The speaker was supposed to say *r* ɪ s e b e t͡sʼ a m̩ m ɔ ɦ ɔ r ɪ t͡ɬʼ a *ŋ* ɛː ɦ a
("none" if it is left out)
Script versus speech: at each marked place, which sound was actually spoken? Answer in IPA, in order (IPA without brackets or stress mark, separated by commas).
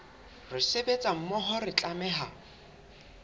r, m